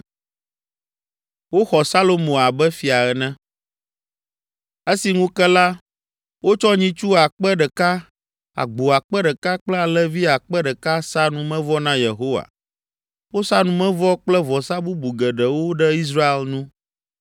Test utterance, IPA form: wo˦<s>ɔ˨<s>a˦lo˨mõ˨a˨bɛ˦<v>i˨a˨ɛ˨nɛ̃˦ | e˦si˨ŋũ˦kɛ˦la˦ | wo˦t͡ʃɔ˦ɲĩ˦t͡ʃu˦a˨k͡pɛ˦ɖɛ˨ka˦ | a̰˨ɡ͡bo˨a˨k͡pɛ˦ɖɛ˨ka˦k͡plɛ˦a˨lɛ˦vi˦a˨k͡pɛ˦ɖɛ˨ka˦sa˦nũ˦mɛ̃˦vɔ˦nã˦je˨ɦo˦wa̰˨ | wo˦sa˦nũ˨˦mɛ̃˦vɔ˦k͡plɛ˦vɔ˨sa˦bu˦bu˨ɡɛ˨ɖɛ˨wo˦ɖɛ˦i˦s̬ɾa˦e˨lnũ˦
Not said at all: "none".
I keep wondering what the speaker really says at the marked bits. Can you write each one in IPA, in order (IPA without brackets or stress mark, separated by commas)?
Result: x, s, f